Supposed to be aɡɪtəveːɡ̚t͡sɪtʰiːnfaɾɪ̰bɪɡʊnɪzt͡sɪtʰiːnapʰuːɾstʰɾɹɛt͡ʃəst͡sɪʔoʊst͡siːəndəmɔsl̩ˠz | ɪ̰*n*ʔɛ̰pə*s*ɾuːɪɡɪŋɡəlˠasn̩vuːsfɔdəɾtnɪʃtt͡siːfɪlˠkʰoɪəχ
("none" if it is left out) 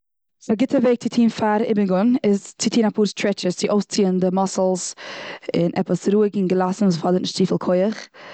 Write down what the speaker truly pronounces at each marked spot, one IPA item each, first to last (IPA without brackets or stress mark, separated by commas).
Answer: n, s